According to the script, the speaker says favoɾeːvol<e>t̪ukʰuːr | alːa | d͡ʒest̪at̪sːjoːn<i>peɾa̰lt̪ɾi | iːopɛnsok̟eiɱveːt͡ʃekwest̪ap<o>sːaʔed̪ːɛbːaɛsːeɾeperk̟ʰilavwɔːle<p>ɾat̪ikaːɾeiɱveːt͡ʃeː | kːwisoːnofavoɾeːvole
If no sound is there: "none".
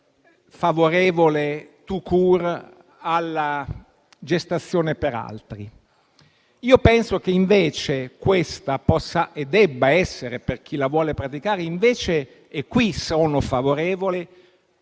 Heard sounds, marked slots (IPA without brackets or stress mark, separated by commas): e, e, ɔ, p